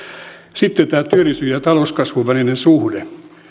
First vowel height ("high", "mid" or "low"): high